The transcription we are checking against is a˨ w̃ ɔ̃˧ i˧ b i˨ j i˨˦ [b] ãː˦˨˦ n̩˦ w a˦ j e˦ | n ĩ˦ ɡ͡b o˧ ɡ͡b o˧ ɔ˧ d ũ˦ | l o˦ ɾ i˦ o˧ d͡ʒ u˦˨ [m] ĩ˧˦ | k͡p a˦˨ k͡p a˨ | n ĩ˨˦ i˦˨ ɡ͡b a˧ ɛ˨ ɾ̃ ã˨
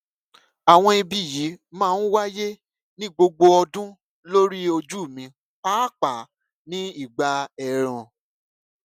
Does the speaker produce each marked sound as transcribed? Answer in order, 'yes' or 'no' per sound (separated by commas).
no, yes